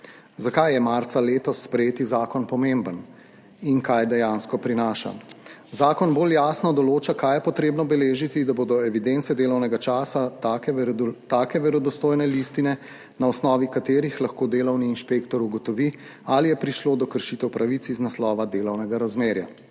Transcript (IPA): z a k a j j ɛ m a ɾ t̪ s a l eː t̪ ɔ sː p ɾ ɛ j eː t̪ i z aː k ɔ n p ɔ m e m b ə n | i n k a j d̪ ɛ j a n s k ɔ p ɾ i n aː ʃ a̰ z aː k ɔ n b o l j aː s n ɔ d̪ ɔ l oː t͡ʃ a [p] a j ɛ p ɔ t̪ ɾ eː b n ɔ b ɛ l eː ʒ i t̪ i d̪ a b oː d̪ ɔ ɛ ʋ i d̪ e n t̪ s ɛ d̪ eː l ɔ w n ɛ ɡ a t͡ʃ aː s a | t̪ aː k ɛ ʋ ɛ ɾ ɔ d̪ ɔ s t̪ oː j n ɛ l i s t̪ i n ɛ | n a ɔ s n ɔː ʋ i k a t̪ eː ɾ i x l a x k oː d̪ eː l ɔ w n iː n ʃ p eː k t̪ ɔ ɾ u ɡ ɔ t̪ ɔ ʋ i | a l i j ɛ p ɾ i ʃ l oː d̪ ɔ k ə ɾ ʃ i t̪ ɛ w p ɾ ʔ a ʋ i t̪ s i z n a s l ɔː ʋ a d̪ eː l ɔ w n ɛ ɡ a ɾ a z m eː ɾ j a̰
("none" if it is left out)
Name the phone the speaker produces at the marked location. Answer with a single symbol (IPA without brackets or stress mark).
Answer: k